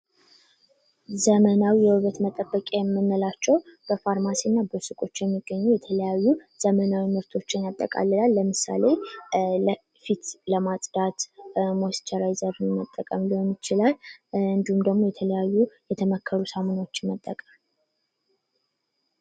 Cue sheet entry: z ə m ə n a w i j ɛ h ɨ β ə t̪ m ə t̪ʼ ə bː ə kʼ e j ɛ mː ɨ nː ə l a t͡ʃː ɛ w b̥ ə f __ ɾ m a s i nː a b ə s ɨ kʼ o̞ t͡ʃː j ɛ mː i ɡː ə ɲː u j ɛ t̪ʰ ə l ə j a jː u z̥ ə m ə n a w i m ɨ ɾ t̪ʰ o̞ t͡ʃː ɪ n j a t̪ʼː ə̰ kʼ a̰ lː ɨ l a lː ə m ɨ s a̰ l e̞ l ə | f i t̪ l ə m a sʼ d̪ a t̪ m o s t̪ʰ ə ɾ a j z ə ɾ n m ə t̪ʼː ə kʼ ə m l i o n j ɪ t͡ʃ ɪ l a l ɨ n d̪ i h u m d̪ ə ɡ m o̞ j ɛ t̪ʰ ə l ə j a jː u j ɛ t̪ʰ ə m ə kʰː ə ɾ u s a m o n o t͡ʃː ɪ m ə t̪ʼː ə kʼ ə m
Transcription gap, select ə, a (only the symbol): a